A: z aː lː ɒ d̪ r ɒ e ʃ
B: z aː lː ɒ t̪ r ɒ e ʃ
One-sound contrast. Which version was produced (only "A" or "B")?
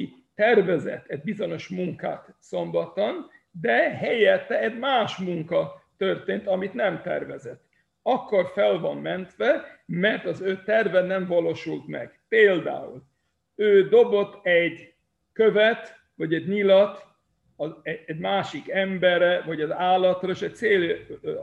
B